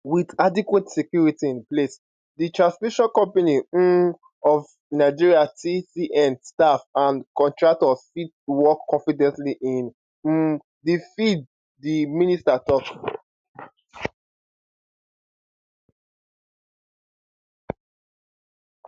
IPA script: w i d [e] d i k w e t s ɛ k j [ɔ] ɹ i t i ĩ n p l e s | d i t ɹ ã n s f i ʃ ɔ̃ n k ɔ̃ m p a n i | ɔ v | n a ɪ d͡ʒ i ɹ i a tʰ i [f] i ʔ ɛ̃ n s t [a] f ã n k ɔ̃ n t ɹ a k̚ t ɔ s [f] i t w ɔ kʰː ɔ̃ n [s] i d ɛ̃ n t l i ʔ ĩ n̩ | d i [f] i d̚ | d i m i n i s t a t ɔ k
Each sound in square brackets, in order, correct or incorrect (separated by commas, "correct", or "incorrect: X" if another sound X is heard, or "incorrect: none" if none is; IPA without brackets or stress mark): incorrect: a, incorrect: u, incorrect: s, correct, correct, incorrect: f, correct